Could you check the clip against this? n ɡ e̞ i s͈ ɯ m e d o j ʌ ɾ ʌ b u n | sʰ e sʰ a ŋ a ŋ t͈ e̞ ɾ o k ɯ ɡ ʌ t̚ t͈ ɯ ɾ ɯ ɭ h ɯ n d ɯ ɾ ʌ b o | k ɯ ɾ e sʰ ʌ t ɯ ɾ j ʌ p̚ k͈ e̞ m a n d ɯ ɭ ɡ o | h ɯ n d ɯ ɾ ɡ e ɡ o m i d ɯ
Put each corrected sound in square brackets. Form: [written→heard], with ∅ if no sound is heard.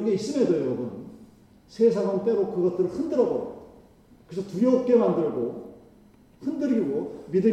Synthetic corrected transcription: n ɡ e̞ i s͈ ɯ m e d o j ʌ ɾ ʌ b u n | sʰ e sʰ a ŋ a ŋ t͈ e̞ ɾ o k ɯ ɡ ʌ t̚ t͈ ɯ ɾ ɯ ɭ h ɯ n d ɯ ɾ ʌ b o | k ɯ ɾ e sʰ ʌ t [ɯ→u] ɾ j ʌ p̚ k͈ e̞ m a n d ɯ ɭ ɡ o | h ɯ n d ɯ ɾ ɡ [e→i] ɡ o m i d ɯ